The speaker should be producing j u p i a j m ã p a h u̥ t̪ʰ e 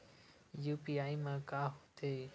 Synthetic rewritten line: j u p i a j m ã k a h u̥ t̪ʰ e